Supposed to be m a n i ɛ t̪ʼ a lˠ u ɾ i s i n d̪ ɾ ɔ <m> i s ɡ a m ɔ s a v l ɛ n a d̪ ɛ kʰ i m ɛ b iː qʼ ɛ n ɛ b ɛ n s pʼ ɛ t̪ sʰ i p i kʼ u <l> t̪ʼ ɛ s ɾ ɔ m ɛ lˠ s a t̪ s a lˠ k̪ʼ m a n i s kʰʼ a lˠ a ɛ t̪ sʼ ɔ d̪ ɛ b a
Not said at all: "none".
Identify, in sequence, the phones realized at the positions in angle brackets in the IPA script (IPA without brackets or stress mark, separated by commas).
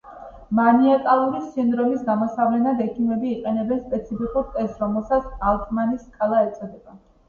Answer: m, ɾ